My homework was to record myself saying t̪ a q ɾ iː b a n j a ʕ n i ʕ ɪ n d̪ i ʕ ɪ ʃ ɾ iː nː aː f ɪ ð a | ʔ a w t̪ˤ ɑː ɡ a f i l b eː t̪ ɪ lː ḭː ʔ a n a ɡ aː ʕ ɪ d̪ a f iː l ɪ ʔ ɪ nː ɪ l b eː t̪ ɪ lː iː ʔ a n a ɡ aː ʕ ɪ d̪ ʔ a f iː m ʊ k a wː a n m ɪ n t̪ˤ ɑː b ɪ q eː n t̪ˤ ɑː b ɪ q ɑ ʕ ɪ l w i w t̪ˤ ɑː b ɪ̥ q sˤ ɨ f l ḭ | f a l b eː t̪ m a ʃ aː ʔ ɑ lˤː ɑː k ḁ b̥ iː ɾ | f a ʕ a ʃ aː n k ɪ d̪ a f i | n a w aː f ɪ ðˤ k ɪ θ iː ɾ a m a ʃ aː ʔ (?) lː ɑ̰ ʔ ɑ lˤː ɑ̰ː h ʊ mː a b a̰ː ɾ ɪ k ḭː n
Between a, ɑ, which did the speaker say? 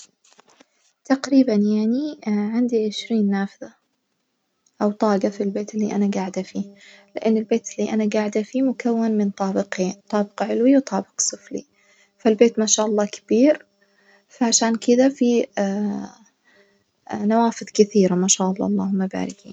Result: ɑ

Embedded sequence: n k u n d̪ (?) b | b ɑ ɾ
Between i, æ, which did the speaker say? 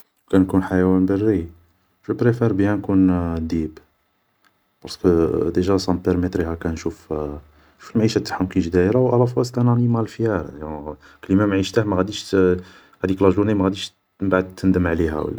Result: i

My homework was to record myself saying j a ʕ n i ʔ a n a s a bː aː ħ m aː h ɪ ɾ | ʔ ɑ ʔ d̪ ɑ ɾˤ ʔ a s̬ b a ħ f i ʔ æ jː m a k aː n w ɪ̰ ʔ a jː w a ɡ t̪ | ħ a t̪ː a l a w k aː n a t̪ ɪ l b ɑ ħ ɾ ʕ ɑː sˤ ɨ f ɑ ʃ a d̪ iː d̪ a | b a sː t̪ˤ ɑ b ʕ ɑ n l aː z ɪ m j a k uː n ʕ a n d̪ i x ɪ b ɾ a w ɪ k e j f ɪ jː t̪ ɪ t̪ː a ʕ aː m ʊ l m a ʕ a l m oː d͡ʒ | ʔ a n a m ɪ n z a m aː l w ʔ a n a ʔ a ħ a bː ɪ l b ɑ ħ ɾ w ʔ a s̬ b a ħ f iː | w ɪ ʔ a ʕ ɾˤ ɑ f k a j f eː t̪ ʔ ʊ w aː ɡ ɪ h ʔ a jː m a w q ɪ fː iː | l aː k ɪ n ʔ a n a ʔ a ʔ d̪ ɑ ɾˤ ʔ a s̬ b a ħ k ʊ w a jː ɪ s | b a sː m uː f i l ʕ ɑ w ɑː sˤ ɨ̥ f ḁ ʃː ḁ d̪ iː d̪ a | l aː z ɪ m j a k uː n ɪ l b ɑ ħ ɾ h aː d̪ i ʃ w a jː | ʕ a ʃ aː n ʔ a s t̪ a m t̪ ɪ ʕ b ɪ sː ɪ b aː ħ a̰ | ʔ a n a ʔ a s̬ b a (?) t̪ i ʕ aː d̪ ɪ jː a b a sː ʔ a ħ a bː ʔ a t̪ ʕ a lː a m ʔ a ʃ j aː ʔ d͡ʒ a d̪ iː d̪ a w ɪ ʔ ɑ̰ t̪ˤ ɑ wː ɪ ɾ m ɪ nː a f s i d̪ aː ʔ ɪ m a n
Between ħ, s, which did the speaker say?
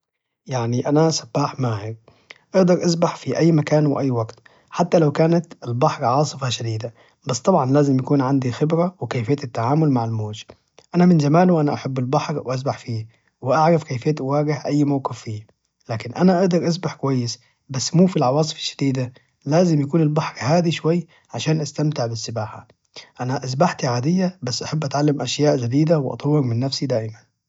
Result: ħ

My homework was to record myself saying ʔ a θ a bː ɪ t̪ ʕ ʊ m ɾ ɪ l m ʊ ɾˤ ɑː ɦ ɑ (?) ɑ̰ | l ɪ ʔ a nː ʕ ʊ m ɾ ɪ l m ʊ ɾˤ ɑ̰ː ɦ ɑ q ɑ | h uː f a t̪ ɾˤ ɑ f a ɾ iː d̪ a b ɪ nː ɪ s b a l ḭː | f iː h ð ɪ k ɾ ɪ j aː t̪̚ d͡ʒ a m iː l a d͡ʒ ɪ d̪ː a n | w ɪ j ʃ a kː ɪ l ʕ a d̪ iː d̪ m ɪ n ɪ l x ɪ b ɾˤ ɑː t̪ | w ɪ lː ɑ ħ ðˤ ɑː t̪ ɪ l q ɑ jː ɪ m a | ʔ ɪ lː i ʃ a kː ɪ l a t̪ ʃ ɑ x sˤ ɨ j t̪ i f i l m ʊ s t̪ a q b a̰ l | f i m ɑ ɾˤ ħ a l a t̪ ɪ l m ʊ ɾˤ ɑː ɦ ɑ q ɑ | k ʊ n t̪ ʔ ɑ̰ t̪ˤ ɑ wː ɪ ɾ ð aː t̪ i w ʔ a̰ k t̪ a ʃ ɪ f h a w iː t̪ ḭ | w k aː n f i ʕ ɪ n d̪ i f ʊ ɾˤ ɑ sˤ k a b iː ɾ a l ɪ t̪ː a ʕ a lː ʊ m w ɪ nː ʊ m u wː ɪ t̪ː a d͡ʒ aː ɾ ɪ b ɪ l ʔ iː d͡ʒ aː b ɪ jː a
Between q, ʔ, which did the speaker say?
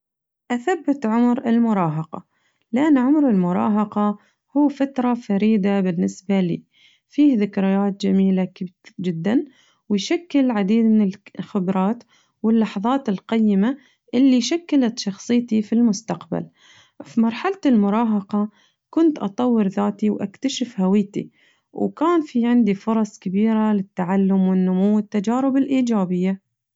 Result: q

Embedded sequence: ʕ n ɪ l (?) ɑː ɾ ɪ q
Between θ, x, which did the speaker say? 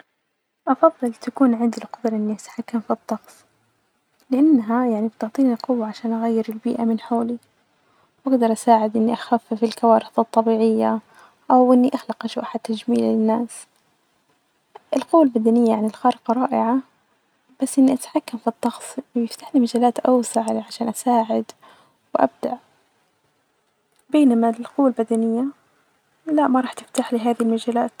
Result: x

